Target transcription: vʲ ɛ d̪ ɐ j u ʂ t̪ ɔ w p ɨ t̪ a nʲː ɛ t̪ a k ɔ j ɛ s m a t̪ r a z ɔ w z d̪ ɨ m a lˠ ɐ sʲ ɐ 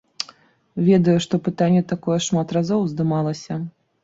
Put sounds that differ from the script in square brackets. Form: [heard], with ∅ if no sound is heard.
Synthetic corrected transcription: vʲ ɛ d̪ ɐ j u ʂ t̪ ɔ [∅] p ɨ t̪ a nʲː ɛ t̪ a k ɔ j ɛ [ʂ] m a t̪ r a z ɔ w z d̪ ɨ m a lˠ ɐ sʲ ɐ